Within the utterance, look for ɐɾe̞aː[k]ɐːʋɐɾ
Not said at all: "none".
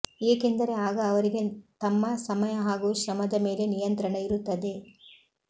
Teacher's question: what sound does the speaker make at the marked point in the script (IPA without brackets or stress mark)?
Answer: ɡ